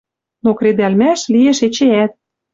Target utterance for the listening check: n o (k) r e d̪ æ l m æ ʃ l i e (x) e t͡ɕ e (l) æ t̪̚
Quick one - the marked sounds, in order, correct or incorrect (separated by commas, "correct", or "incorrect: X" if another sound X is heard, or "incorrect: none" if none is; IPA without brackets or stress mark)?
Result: correct, incorrect: ʃ, incorrect: none